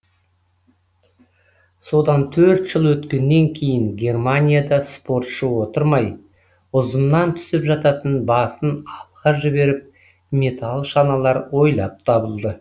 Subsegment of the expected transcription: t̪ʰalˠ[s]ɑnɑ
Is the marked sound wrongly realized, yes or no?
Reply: yes